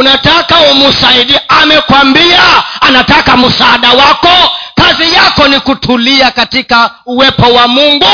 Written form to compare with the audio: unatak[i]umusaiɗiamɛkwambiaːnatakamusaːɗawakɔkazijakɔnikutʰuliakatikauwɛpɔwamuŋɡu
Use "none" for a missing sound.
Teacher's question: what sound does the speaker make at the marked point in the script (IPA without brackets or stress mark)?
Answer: a